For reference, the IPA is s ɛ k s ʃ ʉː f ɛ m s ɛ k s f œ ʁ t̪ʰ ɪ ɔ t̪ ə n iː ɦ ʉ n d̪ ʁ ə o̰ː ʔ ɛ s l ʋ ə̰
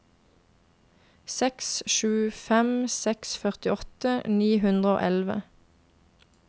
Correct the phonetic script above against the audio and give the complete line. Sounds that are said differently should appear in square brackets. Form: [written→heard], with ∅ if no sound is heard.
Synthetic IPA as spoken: s ɛ k s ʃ ʉː f ɛ m s ɛ k s f œ ʁ [t̪ʰ→t̪] ɪ ɔ t̪ ə n iː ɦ ʉ n d̪ ʁ ə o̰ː ʔ ɛ [s→∅] l ʋ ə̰

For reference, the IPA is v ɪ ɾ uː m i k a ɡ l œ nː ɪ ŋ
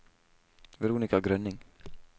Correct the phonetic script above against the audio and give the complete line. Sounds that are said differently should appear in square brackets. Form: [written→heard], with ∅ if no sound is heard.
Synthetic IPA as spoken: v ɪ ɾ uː [m→n] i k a ɡ [l→ɾ] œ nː ɪ ŋ

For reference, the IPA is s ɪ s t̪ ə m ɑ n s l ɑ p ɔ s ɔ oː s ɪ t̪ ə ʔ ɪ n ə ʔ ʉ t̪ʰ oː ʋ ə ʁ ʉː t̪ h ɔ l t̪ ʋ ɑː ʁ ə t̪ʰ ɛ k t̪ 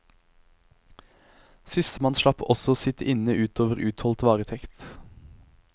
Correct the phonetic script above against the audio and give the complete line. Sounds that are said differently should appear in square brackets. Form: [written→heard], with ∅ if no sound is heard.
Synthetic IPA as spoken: s ɪ s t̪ ə m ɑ n [s→ʃ] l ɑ p ɔ s ɔ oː s ɪ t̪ ə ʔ ɪ n ə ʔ [ʉ→ʉː] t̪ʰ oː ʋ ə ʁ ʉː t̪ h ɔ l t̪ ʋ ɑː ʁ ə t̪ʰ ɛ k t̪

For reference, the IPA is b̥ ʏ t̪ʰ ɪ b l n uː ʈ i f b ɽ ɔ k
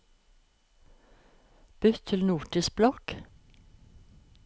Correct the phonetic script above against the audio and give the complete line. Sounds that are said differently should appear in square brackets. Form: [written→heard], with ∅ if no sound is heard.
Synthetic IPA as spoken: b̥ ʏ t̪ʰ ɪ [b→∅] l n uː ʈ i [f→s] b [ɽ→l] ɔ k

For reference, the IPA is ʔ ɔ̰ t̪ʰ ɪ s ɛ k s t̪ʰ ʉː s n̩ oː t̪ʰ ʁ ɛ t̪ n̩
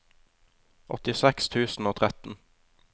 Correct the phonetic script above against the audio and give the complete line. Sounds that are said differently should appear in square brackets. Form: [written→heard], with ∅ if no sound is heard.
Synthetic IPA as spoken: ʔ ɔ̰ [t̪ʰ→t̪] ɪ s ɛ k s t̪ʰ ʉː s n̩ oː t̪ʰ ʁ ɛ t̪ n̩

